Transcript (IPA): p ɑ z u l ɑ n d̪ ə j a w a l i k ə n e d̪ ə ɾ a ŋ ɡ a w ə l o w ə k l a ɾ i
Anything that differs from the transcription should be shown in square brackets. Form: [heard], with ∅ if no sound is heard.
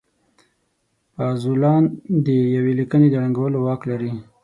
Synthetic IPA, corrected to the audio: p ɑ z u l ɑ n d̪ ə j a w [e] l i k ə n e d̪ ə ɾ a ŋ ɡ a w ə l o w [ɑ] k l a ɾ i